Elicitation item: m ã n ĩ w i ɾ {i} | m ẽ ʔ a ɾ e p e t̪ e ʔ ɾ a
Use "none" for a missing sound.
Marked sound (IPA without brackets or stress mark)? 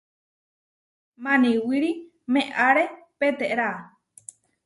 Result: i